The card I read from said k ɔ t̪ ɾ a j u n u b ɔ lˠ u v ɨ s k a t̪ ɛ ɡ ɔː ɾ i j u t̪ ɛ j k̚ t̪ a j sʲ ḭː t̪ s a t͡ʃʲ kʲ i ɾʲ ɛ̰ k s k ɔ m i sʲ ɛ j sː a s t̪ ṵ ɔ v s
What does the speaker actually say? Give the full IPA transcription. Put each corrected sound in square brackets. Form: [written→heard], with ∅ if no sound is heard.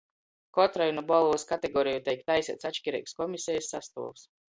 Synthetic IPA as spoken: k ɔ t̪ ɾ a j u n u b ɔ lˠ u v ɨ s k a t̪ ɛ ɡ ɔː ɾ i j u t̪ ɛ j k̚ t̪ a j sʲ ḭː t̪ s a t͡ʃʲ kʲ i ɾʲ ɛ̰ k s k ɔ m i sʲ ɛ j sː a s t̪ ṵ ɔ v s